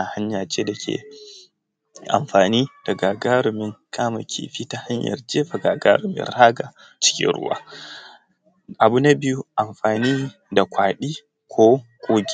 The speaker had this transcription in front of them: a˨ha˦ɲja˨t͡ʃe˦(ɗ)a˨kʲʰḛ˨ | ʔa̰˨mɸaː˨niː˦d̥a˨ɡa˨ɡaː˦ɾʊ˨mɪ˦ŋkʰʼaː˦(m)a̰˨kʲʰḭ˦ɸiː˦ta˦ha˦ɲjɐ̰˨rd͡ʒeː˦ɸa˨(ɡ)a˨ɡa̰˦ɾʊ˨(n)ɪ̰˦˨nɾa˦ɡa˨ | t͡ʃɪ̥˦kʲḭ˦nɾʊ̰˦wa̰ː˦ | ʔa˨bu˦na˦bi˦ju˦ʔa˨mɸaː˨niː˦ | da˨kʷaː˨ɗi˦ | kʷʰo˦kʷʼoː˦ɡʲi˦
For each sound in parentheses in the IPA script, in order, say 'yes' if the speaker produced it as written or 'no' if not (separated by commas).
no, yes, yes, no